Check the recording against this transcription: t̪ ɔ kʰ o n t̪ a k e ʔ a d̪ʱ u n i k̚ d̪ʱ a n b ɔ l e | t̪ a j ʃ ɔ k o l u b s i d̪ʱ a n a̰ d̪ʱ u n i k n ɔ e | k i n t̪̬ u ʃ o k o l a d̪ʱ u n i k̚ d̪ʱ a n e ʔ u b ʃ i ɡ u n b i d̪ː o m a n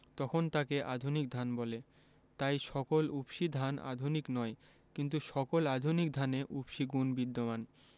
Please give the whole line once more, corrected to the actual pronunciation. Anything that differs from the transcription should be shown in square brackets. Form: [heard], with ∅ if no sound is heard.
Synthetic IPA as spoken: t̪ ɔ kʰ o n t̪ a k e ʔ a d̪ʱ u n i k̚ d̪ʱ a n b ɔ l e | t̪ a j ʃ ɔ k o l u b [ʃ] i d̪ʱ a n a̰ d̪ʱ u n i k n ɔ e | k i n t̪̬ u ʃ [ɔ] k o l a d̪ʱ u n i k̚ d̪ʱ a n e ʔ u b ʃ i ɡ u n b i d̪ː o m a n

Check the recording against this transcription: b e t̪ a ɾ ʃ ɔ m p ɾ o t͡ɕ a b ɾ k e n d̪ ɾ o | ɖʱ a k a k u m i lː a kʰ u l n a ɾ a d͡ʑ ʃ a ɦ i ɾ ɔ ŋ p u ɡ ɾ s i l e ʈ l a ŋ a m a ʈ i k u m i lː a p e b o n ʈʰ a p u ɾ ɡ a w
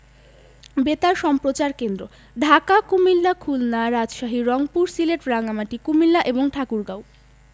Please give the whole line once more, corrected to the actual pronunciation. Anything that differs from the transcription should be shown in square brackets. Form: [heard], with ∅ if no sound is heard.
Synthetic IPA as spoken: b e t̪ a ɾ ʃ ɔ m p ɾ o t͡ɕ a [∅] ɾ k e n d̪ ɾ o | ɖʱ a k a k u m i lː a kʰ u l n a ɾ a d͡ʑ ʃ a ɦ i ɾ ɔ ŋ p u [∅] ɾ s i l e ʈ [ɾ] a ŋ a m a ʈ i k u m i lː a [ʔ] e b o [ŋ] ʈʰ a [k] u ɾ ɡ a w

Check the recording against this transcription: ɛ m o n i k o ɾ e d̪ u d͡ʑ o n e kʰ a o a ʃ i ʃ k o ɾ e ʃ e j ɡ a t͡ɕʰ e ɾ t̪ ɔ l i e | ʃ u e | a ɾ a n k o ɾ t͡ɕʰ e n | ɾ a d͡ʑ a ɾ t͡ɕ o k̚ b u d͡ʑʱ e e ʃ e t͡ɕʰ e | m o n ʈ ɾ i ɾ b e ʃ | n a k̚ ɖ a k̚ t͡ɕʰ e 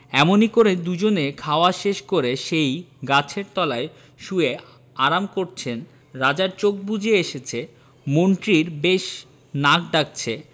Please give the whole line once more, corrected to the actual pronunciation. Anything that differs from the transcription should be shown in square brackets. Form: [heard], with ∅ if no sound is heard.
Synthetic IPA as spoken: ɛ m o n i k o ɾ e d̪ u d͡ʑ o n e kʰ a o a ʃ [e] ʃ k o ɾ e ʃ e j ɡ a t͡ɕʰ e ɾ t̪ ɔ l [a] e | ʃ u e | a ɾ a [m] k o ɾ t͡ɕʰ e n | ɾ a d͡ʑ a ɾ t͡ɕ o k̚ b u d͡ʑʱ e e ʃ e t͡ɕʰ e | m o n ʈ ɾ i ɾ b e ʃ | n a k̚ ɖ a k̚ t͡ɕʰ e

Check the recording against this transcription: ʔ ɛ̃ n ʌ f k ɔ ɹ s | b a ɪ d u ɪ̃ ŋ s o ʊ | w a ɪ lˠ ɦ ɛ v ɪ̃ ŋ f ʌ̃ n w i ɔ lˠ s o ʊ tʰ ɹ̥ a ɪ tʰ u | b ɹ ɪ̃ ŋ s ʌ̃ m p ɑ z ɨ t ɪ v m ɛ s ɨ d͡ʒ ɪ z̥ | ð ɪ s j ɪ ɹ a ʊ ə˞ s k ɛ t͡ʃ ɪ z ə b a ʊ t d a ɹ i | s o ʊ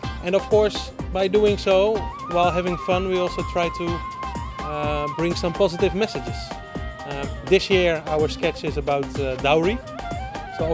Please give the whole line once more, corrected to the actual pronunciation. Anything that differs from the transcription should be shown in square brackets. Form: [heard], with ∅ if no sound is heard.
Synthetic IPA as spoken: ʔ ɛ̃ n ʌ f k ɔ ɹ s | b a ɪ d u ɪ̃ ŋ s o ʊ | w a ɪ lˠ ɦ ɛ v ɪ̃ ŋ f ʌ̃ n w i ɔ lˠ s o ʊ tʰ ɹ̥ a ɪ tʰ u | b ɹ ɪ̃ ŋ s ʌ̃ m p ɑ z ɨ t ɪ v m ɛ s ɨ d͡ʒ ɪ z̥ | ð ɪ s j ɪ ɹ a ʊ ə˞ s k ɛ t͡ʃ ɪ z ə b a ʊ t d a ɹ i | s o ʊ

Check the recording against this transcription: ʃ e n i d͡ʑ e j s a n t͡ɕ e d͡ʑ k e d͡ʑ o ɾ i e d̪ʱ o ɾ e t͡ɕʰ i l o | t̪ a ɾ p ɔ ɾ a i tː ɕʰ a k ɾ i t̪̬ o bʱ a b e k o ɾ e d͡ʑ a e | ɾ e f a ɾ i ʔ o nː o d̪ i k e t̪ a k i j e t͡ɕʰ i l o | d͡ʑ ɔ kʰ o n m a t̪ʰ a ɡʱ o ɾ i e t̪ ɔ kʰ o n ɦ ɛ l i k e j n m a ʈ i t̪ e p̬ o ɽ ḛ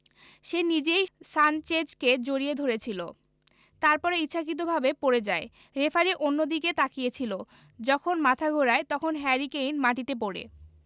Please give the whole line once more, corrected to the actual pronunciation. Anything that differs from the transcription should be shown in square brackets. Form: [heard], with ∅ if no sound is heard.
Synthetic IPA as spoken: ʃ e n i d͡ʑ e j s a n t͡ɕ e d͡ʑ k e d͡ʑ o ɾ i e d̪ʱ o ɾ e t͡ɕʰ i l o | t̪ a ɾ p ɔ ɾ [e] i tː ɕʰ a k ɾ i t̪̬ o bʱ a b e [p] o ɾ e d͡ʑ a e | ɾ e f a ɾ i ʔ o nː o d̪ i k e t̪ a k i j e t͡ɕʰ i l o | d͡ʑ ɔ kʰ o n m a t̪ʰ a ɡʱ o ɾ [a] e t̪ ɔ kʰ o n ɦ ɛ [ɾ] i k e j n m a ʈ i t̪ e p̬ o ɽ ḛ

